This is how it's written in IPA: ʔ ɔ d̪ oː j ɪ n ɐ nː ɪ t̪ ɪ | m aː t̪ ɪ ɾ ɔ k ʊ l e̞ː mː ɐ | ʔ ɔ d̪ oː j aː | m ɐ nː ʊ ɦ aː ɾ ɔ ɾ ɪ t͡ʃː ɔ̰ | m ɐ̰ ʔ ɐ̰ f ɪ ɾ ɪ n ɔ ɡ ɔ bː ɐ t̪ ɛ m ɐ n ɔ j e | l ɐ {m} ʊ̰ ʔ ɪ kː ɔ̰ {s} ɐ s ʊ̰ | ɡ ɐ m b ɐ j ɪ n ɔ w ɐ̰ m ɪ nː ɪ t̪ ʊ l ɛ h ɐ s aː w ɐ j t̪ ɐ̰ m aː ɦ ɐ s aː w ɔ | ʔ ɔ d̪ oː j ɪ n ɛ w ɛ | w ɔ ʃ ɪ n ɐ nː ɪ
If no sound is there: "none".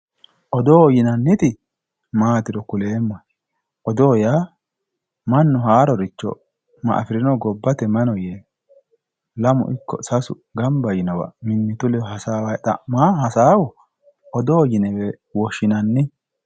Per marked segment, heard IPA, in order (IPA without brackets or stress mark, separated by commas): m, s